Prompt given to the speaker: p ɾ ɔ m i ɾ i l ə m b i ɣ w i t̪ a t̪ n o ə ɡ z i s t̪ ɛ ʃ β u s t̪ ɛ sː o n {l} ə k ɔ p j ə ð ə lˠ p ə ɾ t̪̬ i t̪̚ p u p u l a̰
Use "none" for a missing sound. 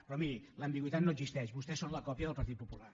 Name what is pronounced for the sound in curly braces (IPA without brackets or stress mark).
l